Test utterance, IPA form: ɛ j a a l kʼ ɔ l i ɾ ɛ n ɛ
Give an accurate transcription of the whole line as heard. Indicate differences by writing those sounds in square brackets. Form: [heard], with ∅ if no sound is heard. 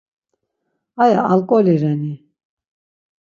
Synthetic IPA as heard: [a] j a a l kʼ ɔ l i ɾ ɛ n [i]

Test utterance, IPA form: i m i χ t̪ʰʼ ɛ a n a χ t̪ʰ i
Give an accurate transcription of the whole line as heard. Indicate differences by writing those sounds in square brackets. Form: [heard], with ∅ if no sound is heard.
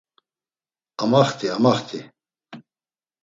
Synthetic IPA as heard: [a] m [a] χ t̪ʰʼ [i] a [m] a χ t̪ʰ i

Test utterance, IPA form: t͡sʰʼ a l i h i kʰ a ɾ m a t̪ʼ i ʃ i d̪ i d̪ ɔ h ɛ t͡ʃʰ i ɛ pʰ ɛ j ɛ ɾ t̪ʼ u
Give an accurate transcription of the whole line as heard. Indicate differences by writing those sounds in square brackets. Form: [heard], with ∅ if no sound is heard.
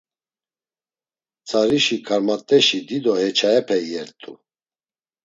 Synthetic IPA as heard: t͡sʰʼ a [ɾ] i [ʃ] i kʰ a ɾ m a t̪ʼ [ɛ] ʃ i d̪ i d̪ ɔ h ɛ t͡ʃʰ [a] ɛ pʰ ɛ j ɛ ɾ t̪ʼ u

